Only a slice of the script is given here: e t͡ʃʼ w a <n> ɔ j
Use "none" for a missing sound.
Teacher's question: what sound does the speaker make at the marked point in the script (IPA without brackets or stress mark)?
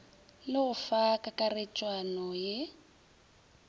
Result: n